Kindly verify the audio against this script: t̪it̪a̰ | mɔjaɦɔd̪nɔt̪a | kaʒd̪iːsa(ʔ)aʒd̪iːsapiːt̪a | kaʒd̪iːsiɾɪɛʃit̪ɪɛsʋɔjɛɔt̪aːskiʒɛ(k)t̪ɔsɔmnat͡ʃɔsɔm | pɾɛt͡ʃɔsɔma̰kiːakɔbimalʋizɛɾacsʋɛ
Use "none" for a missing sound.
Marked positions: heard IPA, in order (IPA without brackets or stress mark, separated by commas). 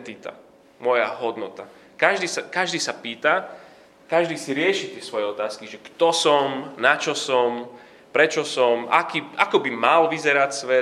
k, k